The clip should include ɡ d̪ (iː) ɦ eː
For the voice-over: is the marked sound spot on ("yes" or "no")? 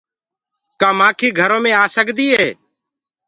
yes